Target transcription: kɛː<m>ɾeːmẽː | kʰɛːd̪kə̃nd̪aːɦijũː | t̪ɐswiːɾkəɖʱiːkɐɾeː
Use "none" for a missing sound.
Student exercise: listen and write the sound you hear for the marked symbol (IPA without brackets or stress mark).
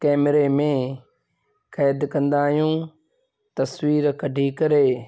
m